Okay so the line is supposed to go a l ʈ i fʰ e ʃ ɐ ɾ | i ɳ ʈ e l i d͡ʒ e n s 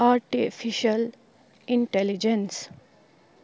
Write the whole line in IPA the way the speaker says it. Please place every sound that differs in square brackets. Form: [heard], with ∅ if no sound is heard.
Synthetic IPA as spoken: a [ɾ] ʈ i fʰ [i] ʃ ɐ [l] | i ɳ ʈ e l i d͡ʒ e n s